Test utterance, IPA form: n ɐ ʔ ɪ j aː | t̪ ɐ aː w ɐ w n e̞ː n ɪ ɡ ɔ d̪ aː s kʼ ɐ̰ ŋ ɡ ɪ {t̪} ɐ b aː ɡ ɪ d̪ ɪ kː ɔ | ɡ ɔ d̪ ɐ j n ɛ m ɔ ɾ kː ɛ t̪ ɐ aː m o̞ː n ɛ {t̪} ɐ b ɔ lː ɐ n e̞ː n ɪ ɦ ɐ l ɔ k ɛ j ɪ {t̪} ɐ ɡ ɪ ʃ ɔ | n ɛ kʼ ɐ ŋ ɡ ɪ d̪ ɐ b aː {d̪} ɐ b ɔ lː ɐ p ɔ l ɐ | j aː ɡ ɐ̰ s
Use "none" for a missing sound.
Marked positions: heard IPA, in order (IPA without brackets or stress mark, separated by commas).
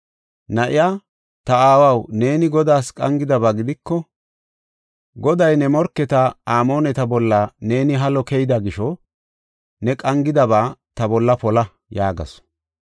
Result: d̪, t̪, d̪, t̪